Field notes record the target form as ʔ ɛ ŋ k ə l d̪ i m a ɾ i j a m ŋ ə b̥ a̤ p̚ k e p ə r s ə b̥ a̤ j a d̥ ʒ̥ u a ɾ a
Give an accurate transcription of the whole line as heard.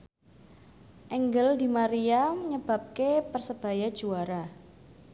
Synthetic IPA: ʔ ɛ ŋ ɡ ə l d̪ i m a ɾ i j a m ɲ ə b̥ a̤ p̚ k e p ə r s ə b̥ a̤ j a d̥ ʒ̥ u a ɾ a